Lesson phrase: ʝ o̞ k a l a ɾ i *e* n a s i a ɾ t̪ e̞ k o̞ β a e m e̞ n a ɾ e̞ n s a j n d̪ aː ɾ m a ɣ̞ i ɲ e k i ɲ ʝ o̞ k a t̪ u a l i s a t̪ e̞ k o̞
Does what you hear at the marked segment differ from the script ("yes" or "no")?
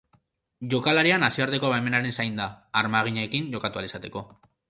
yes